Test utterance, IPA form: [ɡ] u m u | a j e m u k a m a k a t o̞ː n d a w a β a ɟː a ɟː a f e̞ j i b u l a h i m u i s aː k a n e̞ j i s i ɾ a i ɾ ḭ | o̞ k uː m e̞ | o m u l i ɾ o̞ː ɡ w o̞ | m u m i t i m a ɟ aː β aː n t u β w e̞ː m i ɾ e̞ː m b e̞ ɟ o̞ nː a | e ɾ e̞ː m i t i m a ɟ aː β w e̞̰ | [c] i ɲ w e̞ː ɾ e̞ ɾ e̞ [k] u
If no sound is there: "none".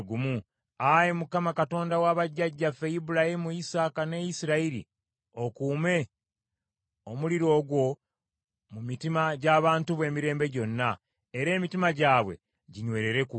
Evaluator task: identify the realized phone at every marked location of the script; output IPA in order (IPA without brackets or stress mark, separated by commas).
ɡ, ɟ, k